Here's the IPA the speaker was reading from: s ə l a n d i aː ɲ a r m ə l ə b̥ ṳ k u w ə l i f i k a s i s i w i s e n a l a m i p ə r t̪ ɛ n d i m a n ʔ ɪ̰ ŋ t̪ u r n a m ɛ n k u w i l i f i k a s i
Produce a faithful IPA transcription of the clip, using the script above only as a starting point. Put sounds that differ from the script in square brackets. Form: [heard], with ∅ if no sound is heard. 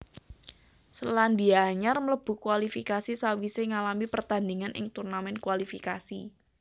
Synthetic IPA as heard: s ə l a n d i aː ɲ a r m ə l ə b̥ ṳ k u w [a] l i f i k a s i s [a] w i s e [ŋ] a l a m i p ə r t̪ [a] n d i [ŋ] a n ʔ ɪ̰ ŋ t̪ u r n a m ɛ n k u w [a] l i f i k a s i